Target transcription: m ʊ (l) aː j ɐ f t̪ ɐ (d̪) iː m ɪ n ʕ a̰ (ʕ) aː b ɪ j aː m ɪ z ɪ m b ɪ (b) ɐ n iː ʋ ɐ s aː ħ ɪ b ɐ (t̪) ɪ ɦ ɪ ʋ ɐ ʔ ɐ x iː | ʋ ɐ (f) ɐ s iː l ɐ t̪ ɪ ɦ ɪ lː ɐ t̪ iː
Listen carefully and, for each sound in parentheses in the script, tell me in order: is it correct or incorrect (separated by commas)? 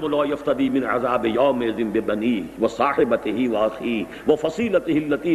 correct, correct, incorrect, correct, correct, correct